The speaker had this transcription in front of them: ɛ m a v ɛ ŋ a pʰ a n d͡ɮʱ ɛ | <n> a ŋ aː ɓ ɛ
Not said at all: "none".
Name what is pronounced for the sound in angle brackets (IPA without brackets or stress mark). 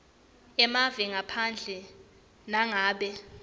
n